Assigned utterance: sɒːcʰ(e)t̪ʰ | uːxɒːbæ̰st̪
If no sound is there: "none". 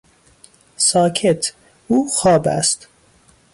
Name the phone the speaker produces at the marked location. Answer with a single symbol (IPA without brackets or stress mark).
e